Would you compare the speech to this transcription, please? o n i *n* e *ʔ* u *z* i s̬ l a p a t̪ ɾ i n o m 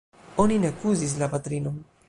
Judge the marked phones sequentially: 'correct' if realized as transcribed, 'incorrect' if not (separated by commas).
correct, incorrect, correct